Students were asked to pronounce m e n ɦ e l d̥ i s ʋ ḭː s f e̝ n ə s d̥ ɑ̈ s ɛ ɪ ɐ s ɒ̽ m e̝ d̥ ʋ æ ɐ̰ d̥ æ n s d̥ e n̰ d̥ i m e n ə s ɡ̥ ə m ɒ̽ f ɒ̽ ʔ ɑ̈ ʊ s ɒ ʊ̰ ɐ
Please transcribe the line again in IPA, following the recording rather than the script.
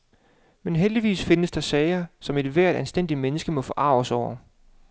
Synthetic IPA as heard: m e n ɦ e l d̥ i ʋ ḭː s f e̝ n ə s d̥ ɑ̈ s ɛ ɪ ɐ s ɒ̽ m e̝ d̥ ʋ æ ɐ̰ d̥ æ n s d̥ e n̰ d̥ i m e n ə s ɡ̥ ə m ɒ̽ f ɒ̽ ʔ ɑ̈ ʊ s ɒ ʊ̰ ɐ